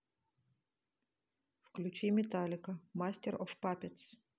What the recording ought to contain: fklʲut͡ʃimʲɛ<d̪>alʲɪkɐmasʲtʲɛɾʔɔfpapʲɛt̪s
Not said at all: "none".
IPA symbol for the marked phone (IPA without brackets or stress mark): t̪